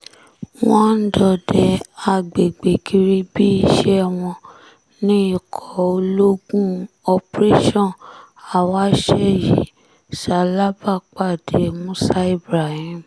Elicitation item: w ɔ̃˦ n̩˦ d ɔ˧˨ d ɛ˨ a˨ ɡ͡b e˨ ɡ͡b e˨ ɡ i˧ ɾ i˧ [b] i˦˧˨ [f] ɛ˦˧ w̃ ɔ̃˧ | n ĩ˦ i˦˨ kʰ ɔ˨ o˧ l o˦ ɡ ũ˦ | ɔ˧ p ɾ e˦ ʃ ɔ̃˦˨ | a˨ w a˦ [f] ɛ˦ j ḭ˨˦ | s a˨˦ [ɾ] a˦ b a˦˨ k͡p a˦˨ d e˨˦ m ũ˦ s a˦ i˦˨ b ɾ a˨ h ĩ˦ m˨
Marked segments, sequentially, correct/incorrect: correct, incorrect, incorrect, incorrect

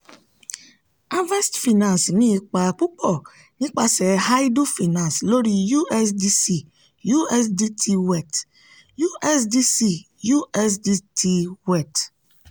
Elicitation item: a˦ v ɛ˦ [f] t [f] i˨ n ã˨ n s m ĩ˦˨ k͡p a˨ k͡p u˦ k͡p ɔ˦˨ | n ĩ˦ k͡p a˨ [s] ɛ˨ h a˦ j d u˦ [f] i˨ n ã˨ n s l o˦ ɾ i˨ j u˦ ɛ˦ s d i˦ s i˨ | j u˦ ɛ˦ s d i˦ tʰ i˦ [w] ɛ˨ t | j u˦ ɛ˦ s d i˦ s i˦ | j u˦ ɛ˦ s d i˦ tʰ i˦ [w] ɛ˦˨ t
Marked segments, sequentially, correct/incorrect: incorrect, correct, correct, correct, correct, correct

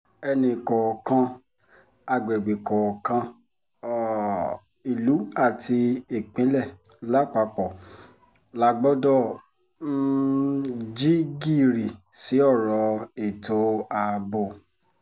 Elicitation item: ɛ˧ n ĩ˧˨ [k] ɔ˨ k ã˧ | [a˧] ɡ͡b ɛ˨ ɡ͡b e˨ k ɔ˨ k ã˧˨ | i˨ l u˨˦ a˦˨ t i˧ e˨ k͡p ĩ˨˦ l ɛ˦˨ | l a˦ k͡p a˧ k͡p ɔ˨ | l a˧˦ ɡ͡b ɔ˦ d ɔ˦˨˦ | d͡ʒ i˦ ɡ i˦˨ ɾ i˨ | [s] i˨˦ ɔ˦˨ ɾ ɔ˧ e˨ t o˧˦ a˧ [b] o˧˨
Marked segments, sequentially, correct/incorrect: correct, correct, correct, correct

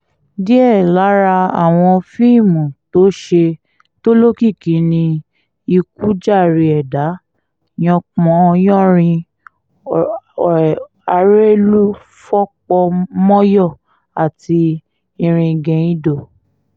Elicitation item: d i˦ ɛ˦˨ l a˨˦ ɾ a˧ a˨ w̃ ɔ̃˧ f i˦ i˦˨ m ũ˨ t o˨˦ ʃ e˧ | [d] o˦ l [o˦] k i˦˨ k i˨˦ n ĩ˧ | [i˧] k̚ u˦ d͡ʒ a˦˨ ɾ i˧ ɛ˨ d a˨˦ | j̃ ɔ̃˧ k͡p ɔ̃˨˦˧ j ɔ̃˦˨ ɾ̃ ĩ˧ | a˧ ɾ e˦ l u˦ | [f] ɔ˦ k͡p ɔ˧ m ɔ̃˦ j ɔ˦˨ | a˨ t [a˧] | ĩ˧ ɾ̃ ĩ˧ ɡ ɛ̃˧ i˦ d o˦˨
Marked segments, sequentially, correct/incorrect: incorrect, correct, correct, correct, incorrect

